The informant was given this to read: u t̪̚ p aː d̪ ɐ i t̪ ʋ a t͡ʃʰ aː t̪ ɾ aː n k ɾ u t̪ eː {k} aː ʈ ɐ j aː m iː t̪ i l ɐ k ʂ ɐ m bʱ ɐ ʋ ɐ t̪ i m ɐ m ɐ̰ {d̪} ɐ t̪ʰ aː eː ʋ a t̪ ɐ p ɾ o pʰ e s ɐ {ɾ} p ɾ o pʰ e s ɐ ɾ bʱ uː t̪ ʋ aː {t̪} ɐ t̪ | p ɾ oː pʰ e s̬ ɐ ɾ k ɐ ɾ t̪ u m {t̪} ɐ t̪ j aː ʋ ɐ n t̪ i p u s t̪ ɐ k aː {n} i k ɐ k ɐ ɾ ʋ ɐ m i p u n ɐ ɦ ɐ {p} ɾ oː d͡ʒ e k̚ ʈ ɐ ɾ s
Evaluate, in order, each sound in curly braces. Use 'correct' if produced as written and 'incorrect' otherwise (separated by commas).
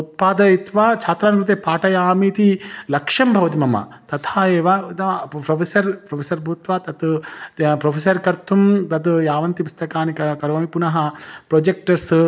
incorrect, incorrect, correct, correct, correct, correct, correct